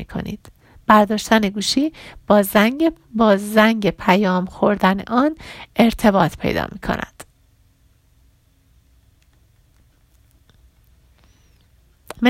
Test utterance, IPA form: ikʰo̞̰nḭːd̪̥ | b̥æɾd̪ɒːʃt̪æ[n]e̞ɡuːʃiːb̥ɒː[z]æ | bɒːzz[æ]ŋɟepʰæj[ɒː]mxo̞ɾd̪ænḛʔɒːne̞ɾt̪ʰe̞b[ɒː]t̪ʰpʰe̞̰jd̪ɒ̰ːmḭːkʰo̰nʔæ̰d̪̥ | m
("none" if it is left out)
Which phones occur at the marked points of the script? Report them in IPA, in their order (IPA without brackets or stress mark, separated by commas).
n, z, æ, ɒː, ɒː